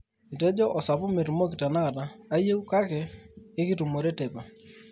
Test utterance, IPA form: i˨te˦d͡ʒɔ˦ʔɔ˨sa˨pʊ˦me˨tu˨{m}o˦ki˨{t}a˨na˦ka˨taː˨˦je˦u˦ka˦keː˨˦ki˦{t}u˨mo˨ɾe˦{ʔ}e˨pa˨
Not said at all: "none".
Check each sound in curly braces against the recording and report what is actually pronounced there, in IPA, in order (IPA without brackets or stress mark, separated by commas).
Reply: m, t, t, t